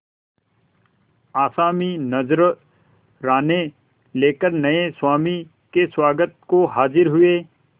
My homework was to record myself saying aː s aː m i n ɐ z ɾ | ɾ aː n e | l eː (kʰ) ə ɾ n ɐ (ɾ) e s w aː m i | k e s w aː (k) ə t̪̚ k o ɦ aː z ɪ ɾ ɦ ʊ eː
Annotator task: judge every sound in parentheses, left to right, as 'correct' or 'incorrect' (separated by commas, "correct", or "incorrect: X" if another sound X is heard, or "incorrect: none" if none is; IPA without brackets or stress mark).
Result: incorrect: k, incorrect: none, incorrect: ɡ